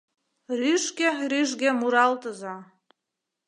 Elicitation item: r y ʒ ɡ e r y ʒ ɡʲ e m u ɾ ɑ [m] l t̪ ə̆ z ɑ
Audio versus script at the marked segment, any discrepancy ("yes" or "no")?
yes